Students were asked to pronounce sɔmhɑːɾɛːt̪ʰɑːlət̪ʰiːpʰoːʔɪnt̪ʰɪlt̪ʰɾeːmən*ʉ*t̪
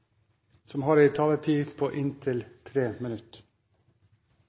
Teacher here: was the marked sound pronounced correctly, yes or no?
yes